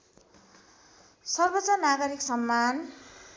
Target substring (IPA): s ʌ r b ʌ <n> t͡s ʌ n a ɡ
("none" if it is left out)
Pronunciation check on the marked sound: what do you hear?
none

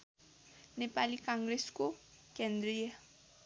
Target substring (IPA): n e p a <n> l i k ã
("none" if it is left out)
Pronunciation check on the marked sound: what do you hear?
none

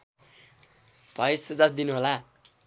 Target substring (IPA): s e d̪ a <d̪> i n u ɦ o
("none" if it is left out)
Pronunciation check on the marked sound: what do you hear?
d̪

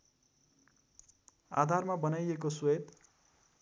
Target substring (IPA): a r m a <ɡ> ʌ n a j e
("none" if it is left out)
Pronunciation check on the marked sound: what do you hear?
b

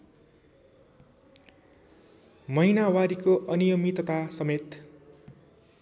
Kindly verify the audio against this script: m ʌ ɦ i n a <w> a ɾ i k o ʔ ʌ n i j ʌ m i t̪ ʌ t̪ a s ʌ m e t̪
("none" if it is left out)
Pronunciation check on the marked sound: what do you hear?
w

